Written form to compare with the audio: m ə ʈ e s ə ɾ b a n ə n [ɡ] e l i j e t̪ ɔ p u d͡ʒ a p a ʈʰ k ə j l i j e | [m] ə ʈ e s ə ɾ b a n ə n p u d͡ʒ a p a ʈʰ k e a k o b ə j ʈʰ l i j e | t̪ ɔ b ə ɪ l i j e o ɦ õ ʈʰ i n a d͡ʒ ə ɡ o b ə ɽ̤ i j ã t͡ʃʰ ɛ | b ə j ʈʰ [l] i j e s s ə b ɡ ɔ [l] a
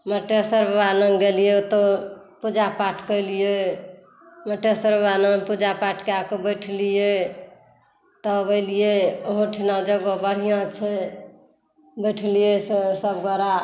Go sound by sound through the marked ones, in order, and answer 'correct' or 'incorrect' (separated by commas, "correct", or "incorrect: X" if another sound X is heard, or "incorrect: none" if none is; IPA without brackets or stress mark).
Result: correct, correct, correct, incorrect: ɾ